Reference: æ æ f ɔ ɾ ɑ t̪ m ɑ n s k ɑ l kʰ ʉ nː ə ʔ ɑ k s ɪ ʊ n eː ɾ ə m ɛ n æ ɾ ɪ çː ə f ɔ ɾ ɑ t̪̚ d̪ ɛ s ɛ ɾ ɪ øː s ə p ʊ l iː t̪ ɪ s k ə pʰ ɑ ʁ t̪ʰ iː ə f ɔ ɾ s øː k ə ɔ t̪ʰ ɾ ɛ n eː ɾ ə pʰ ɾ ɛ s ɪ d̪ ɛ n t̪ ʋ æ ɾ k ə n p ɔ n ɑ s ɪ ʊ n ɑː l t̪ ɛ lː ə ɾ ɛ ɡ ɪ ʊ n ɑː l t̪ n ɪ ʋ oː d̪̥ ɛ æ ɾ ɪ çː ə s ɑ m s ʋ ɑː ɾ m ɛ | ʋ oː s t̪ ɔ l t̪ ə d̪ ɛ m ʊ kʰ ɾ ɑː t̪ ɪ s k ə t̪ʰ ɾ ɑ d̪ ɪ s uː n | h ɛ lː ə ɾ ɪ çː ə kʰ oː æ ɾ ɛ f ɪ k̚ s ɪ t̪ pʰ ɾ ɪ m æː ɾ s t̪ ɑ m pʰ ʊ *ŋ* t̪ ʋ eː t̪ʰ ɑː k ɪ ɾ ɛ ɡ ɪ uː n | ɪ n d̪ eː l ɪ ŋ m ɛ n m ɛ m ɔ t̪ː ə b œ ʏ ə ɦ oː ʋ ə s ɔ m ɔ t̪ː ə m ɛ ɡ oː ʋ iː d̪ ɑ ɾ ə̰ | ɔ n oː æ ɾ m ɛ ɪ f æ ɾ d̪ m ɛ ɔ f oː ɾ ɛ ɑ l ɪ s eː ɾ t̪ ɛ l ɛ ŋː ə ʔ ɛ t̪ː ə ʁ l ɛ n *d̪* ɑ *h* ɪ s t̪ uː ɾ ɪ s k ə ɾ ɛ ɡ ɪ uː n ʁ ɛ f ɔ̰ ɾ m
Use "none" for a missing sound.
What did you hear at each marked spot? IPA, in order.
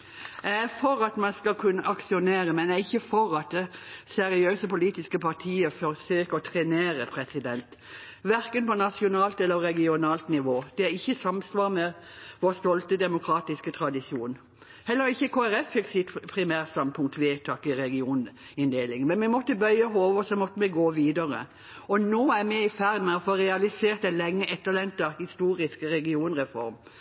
ŋ, t̪, h

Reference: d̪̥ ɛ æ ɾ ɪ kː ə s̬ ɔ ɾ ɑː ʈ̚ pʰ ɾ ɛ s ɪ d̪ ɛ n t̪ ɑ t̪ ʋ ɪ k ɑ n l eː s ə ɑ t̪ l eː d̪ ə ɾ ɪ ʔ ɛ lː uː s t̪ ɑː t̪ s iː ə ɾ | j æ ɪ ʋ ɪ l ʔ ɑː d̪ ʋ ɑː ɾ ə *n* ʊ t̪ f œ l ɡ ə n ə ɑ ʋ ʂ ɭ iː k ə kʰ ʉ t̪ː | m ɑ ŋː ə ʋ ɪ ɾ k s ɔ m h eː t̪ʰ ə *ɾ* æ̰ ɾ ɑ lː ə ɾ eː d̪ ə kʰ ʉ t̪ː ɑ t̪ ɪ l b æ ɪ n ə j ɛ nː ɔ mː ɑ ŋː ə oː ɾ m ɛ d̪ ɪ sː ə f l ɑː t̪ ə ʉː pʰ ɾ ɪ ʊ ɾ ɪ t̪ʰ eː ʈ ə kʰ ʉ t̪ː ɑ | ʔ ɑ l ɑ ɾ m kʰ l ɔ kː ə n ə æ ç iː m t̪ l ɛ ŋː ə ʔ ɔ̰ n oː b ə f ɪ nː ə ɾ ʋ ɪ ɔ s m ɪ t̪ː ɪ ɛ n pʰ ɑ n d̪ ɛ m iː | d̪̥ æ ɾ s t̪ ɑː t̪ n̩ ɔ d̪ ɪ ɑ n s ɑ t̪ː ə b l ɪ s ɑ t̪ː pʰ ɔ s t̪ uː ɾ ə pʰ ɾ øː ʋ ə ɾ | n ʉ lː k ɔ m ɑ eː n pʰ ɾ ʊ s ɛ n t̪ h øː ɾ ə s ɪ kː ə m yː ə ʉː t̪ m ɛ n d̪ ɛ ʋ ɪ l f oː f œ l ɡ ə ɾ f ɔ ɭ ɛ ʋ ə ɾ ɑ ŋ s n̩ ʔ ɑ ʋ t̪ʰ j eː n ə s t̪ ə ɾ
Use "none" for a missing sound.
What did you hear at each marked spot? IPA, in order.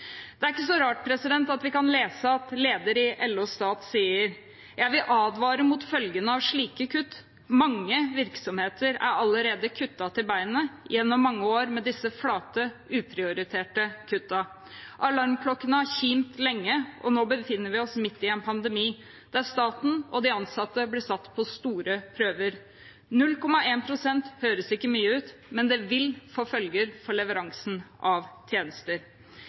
m, ɾ

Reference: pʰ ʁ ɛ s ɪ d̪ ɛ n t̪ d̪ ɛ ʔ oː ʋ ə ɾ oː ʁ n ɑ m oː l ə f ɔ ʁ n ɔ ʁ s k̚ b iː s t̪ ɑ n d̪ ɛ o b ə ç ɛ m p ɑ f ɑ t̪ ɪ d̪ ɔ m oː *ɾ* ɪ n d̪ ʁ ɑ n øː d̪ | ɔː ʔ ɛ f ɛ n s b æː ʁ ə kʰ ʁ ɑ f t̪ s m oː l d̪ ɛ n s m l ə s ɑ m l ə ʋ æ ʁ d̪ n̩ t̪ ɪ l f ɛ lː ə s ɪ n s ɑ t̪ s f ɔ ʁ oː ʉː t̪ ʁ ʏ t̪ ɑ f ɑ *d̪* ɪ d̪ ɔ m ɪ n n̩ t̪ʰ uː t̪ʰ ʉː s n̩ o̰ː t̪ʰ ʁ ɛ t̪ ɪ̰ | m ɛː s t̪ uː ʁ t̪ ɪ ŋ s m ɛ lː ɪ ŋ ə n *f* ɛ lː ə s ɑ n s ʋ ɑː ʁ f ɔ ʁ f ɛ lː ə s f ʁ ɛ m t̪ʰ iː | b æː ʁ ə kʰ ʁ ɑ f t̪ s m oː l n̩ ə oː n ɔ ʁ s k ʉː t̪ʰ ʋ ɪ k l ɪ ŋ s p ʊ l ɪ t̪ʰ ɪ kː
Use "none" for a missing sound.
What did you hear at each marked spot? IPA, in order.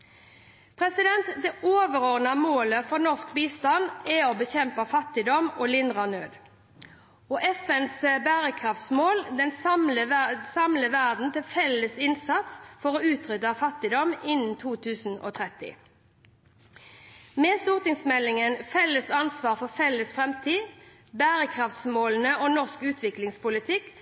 l, t̪, f

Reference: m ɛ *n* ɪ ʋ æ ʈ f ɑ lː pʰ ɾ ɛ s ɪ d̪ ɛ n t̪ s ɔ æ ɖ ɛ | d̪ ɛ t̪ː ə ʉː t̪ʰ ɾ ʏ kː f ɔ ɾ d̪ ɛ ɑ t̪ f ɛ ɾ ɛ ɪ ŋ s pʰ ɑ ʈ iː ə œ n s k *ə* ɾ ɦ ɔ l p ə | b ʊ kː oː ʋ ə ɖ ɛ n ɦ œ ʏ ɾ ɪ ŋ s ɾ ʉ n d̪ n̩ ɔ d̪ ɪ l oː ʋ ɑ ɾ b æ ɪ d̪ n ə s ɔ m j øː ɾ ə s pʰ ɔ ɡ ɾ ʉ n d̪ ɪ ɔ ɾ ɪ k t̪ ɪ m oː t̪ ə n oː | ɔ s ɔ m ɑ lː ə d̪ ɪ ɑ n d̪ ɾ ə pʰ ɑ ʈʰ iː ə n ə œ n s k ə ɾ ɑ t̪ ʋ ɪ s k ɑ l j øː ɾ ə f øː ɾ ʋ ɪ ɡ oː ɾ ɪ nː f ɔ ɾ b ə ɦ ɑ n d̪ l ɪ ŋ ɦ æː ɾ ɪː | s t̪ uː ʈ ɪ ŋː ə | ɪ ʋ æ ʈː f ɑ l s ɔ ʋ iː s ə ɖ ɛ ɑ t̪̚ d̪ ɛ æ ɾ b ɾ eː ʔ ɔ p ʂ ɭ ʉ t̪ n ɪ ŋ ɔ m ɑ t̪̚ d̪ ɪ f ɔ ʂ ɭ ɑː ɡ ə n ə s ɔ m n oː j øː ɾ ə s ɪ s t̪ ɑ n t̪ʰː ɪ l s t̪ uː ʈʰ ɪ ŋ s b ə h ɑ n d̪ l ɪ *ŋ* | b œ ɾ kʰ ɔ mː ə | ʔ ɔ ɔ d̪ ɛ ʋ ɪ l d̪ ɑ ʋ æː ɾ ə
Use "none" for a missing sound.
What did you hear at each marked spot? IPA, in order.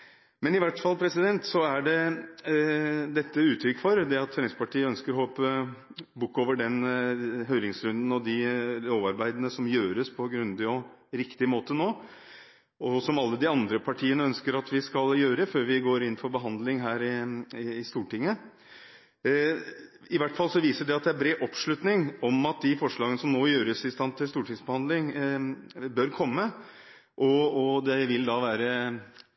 n, ə, ŋ

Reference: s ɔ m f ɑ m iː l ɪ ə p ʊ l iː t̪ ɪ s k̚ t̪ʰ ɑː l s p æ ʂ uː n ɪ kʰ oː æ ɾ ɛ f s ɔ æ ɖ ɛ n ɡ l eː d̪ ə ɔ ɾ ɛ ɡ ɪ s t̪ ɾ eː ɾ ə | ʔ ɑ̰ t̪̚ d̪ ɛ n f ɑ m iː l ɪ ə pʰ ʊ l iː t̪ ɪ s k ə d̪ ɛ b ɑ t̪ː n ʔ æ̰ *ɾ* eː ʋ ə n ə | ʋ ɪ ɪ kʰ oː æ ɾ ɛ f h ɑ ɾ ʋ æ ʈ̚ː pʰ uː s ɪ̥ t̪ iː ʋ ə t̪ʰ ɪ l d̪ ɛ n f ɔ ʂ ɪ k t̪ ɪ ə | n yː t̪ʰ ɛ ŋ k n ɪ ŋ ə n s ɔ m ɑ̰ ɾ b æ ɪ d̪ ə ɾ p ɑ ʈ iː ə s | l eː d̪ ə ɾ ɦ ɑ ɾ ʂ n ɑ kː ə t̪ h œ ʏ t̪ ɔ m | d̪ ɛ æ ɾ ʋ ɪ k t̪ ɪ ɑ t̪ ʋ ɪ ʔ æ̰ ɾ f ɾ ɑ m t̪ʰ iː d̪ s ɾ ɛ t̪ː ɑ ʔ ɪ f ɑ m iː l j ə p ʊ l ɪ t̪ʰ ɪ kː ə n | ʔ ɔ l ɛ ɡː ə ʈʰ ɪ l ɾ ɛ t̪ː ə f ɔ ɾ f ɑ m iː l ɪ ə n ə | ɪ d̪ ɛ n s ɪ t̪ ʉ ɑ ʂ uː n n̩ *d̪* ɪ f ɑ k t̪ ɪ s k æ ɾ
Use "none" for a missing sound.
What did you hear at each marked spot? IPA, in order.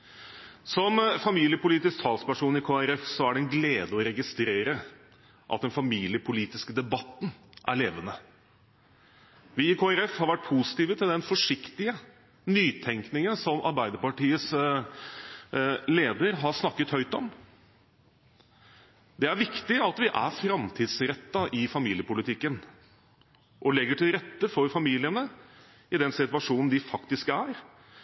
ɭ, d̪

